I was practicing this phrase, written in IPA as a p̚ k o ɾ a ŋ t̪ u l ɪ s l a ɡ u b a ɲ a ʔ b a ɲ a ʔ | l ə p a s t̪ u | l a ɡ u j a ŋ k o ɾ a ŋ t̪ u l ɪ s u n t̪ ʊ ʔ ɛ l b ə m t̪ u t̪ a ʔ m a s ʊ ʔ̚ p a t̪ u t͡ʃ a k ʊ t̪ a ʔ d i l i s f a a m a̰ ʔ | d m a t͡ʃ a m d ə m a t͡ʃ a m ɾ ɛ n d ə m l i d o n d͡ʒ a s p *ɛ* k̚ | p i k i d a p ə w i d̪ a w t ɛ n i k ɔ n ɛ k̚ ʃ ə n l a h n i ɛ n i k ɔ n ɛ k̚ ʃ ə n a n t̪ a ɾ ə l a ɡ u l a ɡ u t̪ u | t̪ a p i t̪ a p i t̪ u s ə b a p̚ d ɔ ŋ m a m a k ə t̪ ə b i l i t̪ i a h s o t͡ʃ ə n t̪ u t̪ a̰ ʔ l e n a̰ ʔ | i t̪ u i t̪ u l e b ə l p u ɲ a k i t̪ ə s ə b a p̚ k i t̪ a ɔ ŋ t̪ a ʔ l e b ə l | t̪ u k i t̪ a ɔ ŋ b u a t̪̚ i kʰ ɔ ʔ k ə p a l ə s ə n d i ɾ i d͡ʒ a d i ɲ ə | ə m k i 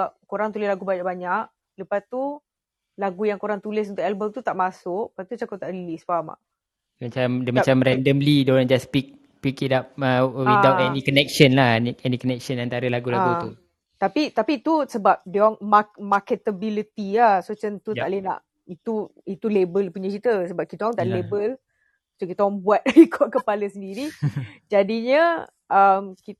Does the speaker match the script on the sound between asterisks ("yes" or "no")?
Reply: no